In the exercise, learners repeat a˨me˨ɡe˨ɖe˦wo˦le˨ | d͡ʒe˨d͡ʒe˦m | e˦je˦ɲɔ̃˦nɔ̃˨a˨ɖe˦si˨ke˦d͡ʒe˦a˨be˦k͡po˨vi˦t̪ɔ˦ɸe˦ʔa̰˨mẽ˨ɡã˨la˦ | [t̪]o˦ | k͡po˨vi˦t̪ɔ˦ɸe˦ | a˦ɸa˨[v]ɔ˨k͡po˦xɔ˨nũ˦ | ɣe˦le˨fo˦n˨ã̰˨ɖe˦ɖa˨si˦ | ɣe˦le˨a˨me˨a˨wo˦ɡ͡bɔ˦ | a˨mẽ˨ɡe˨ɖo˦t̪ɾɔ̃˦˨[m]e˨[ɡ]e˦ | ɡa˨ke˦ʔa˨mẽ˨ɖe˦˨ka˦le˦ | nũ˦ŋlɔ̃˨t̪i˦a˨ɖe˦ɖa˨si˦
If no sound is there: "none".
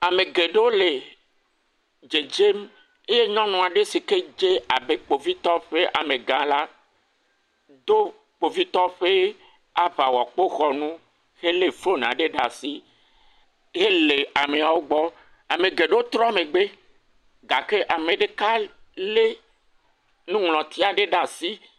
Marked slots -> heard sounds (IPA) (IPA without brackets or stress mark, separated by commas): d̪, w, m, ɡ͡b